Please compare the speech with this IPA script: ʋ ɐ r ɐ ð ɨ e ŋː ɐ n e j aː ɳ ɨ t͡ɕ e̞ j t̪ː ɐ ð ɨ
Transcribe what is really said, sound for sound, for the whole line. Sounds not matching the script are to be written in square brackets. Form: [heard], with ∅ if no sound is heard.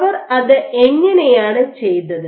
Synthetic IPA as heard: ʋ ɐ r ɐ ð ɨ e ŋː ɐ n e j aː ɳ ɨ t͡ɕ e̞ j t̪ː ɐ ð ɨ